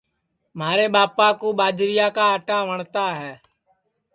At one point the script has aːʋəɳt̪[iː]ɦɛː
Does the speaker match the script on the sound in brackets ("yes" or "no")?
no